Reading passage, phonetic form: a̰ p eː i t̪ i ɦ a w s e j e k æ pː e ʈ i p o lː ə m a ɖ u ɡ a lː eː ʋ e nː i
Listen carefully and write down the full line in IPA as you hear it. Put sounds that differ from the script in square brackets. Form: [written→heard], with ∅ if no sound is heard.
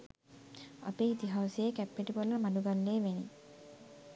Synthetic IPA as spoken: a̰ p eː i t̪ i ɦ a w s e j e k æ pː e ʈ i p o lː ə m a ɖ u ɡ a lː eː ʋ e [nː→n] i